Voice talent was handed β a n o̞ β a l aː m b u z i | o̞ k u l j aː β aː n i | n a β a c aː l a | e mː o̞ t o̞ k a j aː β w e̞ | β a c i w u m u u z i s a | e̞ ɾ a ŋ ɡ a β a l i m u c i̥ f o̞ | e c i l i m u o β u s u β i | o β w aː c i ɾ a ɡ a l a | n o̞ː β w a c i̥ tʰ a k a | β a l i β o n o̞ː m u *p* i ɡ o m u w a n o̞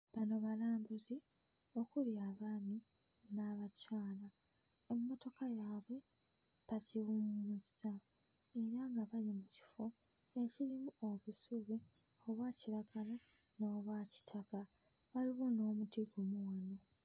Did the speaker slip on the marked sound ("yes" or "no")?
yes